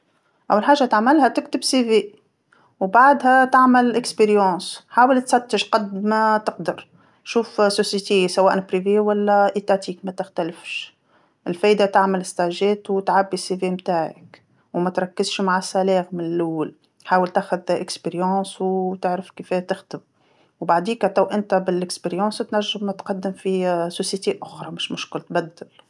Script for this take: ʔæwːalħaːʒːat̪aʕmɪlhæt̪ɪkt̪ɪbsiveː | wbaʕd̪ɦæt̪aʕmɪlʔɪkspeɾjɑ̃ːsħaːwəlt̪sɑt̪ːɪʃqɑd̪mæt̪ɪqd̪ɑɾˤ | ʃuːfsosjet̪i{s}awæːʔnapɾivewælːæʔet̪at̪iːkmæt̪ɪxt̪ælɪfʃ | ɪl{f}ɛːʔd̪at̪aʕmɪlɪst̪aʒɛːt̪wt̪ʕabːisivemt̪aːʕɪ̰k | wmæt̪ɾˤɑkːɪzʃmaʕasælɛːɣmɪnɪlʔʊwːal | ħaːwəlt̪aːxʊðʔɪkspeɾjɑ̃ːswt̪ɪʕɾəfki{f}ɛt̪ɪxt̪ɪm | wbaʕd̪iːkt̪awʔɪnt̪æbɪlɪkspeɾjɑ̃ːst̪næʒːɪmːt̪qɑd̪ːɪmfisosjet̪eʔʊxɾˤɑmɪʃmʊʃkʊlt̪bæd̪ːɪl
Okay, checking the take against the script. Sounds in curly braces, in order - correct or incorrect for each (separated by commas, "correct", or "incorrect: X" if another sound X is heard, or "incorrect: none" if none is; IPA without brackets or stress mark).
correct, correct, correct